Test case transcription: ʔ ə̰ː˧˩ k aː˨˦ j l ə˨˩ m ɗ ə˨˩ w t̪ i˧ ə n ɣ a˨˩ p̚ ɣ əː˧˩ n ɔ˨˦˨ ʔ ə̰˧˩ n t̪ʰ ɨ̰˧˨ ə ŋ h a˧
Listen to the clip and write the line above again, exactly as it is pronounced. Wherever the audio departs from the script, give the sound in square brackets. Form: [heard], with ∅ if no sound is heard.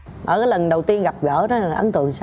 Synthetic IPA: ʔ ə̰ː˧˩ k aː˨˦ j l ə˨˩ [n] ɗ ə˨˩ w t̪ i˧ ə n ɣ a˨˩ p̚ ɣ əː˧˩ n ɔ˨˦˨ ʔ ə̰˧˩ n [t̪] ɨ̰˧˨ ə ŋ [s] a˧